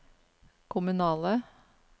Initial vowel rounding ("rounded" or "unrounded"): rounded